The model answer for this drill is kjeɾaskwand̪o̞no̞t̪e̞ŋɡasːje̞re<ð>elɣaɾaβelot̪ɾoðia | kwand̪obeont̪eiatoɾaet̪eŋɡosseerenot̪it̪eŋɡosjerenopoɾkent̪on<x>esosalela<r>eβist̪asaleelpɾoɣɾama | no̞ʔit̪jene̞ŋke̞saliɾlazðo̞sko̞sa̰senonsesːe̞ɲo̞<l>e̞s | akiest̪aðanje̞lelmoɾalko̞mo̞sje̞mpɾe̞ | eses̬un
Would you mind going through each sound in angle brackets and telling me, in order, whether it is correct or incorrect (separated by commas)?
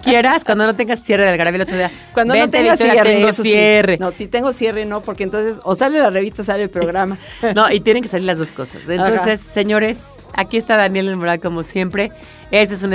correct, incorrect, correct, incorrect